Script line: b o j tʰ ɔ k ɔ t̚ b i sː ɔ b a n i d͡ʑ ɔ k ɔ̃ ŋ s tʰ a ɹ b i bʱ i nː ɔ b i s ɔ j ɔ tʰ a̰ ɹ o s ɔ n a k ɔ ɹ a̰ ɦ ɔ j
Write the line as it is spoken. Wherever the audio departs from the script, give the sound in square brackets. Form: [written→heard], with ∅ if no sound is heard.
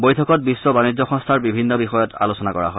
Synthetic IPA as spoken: b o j tʰ ɔ k ɔ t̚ b i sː ɔ b a n i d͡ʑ ɔ [k→x] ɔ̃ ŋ s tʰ a ɹ b i bʱ i nː ɔ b i [s→x] ɔ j ɔ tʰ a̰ [ɹ→l] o s ɔ n a k ɔ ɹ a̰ ɦ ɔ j

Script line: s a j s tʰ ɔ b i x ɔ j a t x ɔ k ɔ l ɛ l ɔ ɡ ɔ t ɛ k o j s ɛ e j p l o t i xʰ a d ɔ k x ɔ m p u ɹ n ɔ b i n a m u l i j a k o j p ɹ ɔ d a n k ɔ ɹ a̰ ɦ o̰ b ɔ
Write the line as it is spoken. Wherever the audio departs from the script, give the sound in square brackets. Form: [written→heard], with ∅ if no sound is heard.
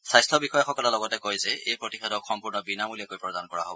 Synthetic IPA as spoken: s a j s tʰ ɔ b i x ɔ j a [t→∅] x ɔ k ɔ l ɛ l ɔ ɡ ɔ t ɛ k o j [s→z] ɛ e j p [l→ɹ] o t i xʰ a d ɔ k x ɔ m p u ɹ n ɔ b i n a m u l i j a k o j p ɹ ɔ d a n k ɔ ɹ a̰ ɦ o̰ b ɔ

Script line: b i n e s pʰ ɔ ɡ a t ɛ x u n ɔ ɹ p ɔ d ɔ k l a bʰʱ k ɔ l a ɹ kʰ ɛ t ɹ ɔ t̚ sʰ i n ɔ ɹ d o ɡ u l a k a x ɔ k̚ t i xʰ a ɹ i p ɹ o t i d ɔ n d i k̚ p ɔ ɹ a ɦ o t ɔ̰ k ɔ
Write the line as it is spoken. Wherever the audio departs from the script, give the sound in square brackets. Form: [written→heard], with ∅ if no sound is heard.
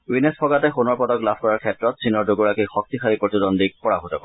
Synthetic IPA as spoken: [b→w] i n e s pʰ ɔ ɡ a t ɛ x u n ɔ ɹ p ɔ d ɔ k l a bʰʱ k ɔ [l→ɹ] a ɹ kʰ ɛ t ɹ ɔ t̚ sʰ i n ɔ ɹ d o ɡ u [l→ɹ] a k [a→i] x ɔ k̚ t i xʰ a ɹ i p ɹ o t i d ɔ n d i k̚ p ɔ ɹ a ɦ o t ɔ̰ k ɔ

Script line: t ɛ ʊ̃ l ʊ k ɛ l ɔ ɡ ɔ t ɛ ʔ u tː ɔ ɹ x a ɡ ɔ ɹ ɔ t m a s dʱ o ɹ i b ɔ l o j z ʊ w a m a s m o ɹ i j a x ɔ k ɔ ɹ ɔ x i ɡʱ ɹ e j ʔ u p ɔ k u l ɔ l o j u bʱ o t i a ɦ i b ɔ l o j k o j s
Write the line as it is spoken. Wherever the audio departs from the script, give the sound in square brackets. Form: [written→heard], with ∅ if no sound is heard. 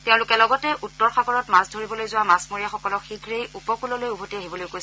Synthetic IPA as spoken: t ɛ ʊ̃ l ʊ k ɛ l ɔ ɡ ɔ t ɛ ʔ u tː ɔ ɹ x a ɡ ɔ ɹ ɔ t m a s dʱ o ɹ i b ɔ l o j z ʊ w a m a s m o ɹ i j a x ɔ k ɔ [ɹ→l] ɔ x i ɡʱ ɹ e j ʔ u p ɔ k u l ɔ l o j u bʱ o t i a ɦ i b ɔ l o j k o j s

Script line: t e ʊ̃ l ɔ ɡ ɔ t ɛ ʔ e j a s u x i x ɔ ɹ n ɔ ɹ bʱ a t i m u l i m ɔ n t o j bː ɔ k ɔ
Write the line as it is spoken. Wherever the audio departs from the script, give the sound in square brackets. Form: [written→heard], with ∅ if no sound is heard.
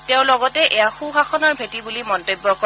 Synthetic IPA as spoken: t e ʊ̃ l ɔ ɡ ɔ t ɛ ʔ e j a [s→x] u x [i→a] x ɔ [ɹ→∅] n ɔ ɹ bʱ [a→e] t i [m→b] u l i m ɔ n t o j bː ɔ k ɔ

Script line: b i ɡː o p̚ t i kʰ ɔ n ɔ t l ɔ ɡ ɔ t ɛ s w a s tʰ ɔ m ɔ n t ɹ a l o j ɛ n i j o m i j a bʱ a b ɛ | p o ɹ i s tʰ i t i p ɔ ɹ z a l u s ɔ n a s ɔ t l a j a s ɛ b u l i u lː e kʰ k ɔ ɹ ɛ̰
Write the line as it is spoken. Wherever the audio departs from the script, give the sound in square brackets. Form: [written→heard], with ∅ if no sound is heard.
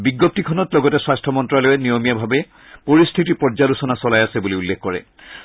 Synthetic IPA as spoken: b i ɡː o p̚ t i kʰ ɔ n ɔ t l ɔ ɡ ɔ t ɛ s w a s tʰ ɔ m ɔ n t ɹ a l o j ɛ n i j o m i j a bʱ a b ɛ | p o ɹ i s tʰ i t i p ɔ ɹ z a l u s ɔ n a s ɔ [t→∅] l a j a s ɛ b u l i u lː e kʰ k ɔ ɹ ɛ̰

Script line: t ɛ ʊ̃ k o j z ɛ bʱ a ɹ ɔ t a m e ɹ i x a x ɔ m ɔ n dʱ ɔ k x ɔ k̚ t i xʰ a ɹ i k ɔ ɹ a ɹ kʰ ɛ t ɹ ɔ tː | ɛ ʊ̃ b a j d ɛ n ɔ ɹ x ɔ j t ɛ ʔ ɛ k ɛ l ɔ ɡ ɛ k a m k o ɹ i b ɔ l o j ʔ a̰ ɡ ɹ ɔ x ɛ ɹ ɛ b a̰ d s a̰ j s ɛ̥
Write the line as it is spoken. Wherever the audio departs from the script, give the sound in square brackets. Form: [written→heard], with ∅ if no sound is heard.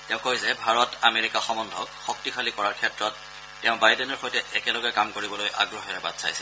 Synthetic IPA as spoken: t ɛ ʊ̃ k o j z ɛ bʱ a ɹ ɔ t a m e ɹ i [x→k] a x ɔ m ɔ n dʱ ɔ k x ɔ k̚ t i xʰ a [ɹ→l] i k ɔ ɹ a ɹ kʰ ɛ t ɹ ɔ tː | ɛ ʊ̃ b a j d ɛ n ɔ ɹ x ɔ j t ɛ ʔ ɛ k ɛ l ɔ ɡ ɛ k a m k o ɹ i b ɔ l o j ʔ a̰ ɡ ɹ ɔ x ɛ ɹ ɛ b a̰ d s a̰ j s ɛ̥

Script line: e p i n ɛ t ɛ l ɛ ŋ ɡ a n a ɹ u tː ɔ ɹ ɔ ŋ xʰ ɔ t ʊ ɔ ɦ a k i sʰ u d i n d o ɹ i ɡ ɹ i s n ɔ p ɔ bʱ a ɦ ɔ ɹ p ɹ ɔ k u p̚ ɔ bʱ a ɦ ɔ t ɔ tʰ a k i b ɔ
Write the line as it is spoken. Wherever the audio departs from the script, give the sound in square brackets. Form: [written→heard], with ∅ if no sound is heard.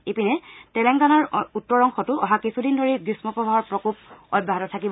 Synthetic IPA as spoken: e p i n ɛ t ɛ l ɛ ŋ ɡ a n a ɹ u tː ɔ ɹ ɔ ŋ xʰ ɔ t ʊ ɔ ɦ a k i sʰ u d i n d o ɹ i ɡ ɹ i s [n→m] ɔ p ɔ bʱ a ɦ ɔ ɹ p ɹ ɔ k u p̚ ɔ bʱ a ɦ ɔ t ɔ tʰ a k i b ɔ

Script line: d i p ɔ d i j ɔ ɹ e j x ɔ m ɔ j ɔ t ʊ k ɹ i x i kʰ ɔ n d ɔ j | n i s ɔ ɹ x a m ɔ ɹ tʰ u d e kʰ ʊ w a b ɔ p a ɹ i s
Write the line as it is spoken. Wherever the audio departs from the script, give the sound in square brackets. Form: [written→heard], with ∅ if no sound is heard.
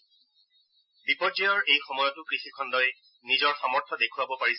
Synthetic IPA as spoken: [d→b] i p ɔ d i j ɔ ɹ e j x ɔ m ɔ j ɔ t ʊ k ɹ i x i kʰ ɔ n d ɔ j | n i [s→z] ɔ ɹ x a m ɔ ɹ tʰ [u→ɔ] d e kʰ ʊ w a b ɔ p a ɹ i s

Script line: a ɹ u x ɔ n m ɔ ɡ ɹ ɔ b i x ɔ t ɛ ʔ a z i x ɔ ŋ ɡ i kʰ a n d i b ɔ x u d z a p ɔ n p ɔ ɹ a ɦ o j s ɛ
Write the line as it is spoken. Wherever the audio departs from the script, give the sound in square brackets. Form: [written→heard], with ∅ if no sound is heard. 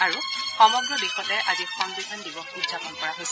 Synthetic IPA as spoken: a ɹ u x ɔ [n→∅] m ɔ ɡ ɹ ɔ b i x ɔ t ɛ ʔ a z i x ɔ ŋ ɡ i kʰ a n d i b ɔ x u d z a p ɔ n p ɔ ɹ a ɦ o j s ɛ

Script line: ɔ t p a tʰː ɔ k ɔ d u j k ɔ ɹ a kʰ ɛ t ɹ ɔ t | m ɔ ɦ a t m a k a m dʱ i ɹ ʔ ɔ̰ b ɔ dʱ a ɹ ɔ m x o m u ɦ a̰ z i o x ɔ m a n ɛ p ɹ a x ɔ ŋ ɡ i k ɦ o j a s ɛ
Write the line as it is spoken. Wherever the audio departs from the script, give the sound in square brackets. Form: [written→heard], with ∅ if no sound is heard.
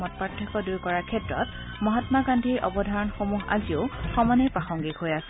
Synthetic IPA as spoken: ɔ t p a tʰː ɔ k ɔ d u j k ɔ ɹ a kʰ ɛ t ɹ ɔ t | m ɔ ɦ a t m a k a [m→n] dʱ i ɹ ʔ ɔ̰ b ɔ dʱ a ɹ ɔ [m→n] x o m u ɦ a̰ z i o x ɔ m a n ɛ p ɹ a x ɔ ŋ ɡ i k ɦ o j a s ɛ

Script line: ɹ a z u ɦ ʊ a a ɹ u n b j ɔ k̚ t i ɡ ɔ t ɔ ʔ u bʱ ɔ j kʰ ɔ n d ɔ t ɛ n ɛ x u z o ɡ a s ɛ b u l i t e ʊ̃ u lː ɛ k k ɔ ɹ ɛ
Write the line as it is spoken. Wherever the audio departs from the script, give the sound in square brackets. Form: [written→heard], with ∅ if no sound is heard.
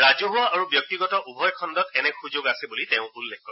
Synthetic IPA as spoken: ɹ a z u ɦ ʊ a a ɹ u [n→∅] b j ɔ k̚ t i ɡ ɔ t ɔ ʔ u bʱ ɔ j kʰ ɔ n d ɔ t ɛ n ɛ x u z o ɡ a s ɛ b u l i t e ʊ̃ u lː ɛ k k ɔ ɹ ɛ

